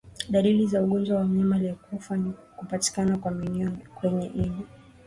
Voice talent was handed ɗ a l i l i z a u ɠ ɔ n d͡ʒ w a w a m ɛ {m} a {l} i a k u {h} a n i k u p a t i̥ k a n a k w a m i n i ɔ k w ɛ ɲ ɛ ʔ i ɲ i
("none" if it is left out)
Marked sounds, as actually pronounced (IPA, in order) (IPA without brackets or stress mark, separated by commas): m, l, f